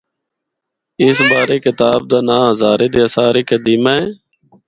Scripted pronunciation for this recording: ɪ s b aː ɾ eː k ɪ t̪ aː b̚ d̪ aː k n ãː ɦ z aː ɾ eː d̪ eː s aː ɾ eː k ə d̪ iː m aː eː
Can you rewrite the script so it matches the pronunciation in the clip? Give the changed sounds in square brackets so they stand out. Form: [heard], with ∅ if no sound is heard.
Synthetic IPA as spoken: ɪ s b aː ɾ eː k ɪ t̪ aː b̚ d̪ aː [∅] n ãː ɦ z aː ɾ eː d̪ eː s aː ɾ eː k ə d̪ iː m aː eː